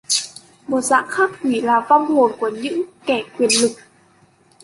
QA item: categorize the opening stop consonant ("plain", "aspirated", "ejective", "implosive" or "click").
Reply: plain